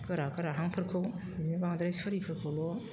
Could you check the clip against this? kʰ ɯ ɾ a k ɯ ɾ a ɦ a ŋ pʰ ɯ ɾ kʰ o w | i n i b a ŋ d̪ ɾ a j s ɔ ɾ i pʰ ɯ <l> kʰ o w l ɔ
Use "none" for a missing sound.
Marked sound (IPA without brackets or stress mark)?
ɾ